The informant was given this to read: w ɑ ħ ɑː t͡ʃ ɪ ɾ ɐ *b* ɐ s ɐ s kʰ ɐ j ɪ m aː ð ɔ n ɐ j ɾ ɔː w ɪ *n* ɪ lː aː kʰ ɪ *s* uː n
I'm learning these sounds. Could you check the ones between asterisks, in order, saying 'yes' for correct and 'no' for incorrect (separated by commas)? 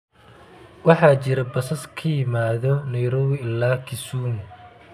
yes, no, yes